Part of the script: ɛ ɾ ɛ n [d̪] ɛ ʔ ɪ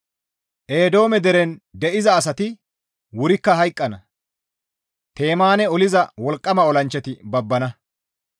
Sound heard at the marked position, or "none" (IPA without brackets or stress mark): d̪